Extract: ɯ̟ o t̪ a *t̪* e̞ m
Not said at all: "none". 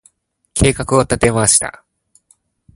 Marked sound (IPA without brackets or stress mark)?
t̪